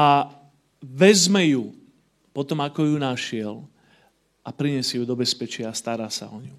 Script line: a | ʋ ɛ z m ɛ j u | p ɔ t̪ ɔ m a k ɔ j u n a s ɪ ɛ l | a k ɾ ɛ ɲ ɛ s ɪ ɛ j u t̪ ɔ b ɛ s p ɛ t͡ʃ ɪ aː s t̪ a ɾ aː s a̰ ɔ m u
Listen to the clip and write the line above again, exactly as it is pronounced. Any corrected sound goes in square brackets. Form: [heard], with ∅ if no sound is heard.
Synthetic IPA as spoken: a | ʋ ɛ z m ɛ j u | p ɔ t̪ ɔ m a k ɔ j u n a [ʃ] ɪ ɛ l | a [p] ɾ [i] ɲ ɛ s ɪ ɛ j u [d̪] ɔ b ɛ s p ɛ t͡ʃ ɪ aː s t̪ a ɾ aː s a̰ ɔ [ɲ] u